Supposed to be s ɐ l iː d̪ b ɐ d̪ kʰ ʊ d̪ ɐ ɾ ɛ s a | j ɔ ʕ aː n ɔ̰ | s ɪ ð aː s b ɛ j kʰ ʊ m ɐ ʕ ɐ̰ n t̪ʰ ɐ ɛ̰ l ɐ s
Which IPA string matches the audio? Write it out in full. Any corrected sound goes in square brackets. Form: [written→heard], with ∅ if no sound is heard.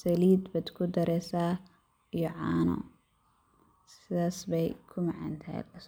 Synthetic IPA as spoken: s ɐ l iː d̪ b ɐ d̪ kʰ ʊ d̪ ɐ ɾ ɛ s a | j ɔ ʕ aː n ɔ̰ | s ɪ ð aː s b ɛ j kʰ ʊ m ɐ ʕ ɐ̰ n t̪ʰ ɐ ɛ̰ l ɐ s